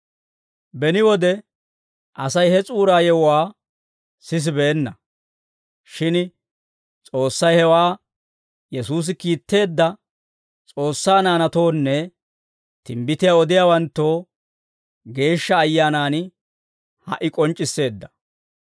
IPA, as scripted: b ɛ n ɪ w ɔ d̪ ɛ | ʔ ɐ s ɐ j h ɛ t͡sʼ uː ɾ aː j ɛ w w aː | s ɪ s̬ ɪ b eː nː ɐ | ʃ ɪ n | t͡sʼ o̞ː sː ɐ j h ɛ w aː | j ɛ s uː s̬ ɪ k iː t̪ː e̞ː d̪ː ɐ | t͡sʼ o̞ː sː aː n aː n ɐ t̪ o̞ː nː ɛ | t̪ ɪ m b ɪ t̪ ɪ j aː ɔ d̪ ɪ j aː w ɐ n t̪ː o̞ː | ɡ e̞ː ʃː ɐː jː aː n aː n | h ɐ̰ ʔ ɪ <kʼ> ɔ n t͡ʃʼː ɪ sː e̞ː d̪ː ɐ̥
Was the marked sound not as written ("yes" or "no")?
no